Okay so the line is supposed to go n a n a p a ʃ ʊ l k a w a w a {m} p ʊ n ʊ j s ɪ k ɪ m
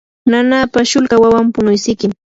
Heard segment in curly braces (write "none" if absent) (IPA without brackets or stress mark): m